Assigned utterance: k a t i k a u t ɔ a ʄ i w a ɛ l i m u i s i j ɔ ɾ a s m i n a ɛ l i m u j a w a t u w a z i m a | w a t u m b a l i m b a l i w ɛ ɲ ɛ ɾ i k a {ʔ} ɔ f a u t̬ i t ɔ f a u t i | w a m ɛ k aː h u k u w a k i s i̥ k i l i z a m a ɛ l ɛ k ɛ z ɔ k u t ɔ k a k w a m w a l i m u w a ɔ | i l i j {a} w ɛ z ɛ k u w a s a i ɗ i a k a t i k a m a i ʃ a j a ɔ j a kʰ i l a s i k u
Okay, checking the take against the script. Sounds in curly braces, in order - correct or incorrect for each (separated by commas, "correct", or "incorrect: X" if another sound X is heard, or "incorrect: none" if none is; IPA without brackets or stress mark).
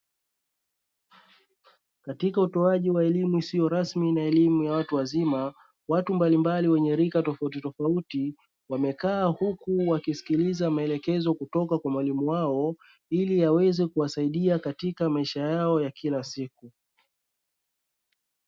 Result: incorrect: t, correct